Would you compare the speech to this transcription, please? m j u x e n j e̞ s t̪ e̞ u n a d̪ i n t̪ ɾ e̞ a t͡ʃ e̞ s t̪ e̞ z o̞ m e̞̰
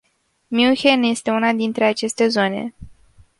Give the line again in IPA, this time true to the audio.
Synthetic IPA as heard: m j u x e n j e̞ s t̪ e̞ u n a d̪ i n t̪ ɾ e̞ a t͡ʃ e̞ s t̪ e̞ z o̞ n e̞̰